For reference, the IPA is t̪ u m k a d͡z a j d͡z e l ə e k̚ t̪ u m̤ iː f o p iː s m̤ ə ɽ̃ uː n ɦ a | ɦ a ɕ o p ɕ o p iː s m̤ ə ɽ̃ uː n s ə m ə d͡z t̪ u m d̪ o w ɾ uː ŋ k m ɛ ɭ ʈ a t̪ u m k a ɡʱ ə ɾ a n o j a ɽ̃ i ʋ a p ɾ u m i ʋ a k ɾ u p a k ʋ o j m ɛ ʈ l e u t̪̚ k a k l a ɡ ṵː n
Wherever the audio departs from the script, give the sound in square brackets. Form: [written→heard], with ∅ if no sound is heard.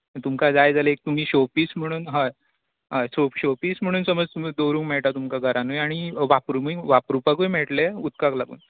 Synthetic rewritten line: t̪ u m k a d͡z a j d͡z [e→a] l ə e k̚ t̪ u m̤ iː [f→ɕ] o p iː s m̤ ə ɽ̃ uː n ɦ a | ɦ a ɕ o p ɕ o p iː s m̤ ə ɽ̃ uː n s ə m ə d͡z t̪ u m d̪ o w ɾ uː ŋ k m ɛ ɭ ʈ a t̪ u m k a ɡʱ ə ɾ a n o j a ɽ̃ i ʋ a p ɾ u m i ʋ a [k→p] ɾ u p a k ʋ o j m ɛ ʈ l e u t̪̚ k a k l a ɡ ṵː n